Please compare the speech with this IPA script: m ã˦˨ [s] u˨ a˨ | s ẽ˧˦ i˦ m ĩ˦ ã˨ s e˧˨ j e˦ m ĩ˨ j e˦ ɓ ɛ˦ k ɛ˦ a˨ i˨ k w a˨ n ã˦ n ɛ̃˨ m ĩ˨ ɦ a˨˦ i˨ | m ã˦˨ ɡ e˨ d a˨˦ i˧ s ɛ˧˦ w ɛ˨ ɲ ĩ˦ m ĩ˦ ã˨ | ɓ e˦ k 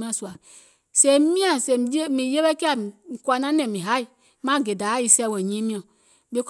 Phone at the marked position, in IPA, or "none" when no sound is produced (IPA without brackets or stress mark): s